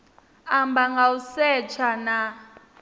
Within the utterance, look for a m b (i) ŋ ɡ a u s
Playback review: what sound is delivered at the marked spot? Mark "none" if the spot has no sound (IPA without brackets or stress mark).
a